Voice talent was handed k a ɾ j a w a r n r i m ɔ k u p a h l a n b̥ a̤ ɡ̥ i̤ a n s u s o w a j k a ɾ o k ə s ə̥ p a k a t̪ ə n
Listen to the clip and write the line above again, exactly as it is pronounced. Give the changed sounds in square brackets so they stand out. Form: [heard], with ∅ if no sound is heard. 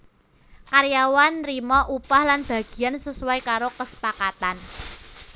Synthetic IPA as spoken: k a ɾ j a w a [∅] n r i m ɔ [ʔ] u p a h l a n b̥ a̤ ɡ̥ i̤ a n s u s [u] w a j k a ɾ o k ə s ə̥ p a k a t̪ [a] n

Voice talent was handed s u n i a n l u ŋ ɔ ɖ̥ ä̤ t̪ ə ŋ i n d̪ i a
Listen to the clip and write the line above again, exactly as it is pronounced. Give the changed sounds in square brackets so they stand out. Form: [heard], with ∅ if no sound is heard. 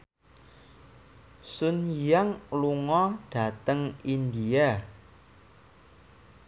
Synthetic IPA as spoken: s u n [j] a [ŋ] l u ŋ ɔ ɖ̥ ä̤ t̪ ə ŋ i n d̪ i a

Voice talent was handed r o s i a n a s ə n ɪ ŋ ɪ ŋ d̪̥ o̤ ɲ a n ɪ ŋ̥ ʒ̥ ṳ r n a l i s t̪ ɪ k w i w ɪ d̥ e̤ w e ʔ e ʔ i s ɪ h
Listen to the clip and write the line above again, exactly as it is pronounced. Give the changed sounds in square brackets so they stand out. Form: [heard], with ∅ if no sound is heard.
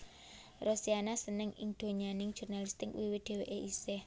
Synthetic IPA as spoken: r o s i a n a s ə n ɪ ŋ ɪ ŋ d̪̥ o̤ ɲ a n ɪ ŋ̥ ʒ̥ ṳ r n a l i s t̪ ɪ k w i w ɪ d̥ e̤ w e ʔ e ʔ i s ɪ h

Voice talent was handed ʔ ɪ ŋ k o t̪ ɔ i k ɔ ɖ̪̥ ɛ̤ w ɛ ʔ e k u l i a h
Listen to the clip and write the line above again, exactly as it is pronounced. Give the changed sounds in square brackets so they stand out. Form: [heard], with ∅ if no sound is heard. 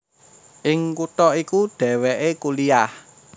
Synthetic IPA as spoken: ʔ ɪ ŋ k [u] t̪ ɔ i k [u] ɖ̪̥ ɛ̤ w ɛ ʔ e k u l i a h

